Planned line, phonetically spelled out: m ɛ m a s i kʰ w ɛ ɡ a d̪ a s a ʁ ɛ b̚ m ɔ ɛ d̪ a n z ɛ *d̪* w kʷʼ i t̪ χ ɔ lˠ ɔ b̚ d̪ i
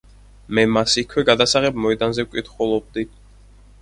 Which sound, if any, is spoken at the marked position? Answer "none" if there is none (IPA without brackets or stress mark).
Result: none